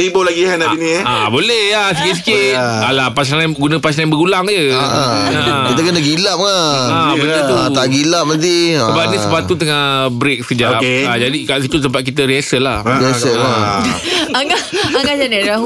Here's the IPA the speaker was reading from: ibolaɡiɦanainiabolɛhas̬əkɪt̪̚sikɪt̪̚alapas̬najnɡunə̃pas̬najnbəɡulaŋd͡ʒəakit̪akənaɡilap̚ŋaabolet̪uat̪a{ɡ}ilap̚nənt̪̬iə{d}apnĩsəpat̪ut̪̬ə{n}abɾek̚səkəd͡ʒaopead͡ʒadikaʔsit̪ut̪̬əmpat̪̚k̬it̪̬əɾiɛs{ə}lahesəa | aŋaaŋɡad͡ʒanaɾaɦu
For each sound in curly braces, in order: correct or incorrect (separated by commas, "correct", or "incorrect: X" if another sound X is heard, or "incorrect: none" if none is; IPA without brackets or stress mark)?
correct, incorrect: b, incorrect: ŋ, correct